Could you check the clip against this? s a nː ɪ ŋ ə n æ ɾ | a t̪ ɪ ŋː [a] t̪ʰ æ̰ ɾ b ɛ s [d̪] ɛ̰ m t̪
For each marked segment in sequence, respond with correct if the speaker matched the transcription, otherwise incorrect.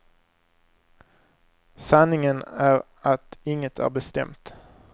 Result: incorrect, incorrect

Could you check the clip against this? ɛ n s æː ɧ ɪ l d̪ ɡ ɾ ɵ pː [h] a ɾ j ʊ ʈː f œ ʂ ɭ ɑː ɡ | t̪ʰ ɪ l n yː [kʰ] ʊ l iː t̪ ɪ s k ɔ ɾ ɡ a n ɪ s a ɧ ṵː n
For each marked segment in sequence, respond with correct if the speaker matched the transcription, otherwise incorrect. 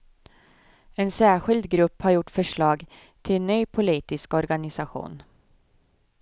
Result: correct, incorrect

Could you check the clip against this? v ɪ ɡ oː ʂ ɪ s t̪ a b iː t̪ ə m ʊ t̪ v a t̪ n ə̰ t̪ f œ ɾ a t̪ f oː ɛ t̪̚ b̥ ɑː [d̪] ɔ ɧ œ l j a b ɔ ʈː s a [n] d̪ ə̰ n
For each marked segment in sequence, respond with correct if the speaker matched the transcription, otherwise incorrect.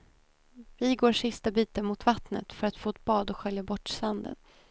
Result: correct, correct

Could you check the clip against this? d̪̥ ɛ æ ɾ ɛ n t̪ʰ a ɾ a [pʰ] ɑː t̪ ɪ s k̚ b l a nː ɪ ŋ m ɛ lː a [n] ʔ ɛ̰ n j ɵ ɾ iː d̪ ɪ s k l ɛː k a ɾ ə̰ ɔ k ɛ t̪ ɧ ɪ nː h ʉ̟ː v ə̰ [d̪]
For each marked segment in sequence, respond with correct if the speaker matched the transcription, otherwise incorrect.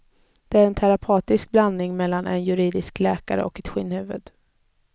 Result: correct, correct, correct

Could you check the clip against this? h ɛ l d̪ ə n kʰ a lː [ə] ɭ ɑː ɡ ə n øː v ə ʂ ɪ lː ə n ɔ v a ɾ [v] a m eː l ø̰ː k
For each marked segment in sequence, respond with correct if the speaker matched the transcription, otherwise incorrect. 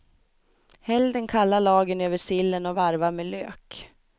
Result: incorrect, correct

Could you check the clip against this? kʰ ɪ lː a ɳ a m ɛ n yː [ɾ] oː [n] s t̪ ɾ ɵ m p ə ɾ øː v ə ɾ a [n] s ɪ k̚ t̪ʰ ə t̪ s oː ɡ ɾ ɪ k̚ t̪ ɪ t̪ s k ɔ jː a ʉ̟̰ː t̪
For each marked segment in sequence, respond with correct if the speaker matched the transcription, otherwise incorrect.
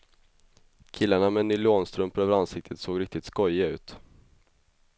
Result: incorrect, correct, correct

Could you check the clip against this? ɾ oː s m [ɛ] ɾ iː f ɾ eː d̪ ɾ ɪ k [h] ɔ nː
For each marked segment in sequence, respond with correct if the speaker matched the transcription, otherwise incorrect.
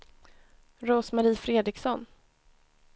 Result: incorrect, incorrect

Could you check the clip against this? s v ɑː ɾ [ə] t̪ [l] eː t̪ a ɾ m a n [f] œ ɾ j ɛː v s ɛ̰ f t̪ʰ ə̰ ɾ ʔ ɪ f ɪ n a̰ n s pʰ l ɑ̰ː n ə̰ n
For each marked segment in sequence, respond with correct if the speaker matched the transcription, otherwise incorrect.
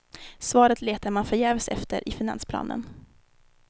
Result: correct, correct, correct

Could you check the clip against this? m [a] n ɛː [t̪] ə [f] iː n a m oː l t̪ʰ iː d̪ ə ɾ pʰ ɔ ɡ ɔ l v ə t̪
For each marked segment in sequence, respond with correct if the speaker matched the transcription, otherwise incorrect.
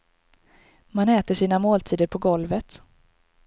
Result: correct, correct, incorrect

